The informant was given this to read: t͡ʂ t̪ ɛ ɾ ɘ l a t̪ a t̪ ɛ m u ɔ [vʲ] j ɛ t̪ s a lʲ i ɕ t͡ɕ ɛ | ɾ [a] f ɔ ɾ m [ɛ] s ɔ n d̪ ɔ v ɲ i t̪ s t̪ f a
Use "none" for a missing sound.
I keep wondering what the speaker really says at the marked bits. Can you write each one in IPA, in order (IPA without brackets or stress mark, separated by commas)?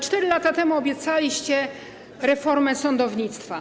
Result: bʲ, ɛ, ɛ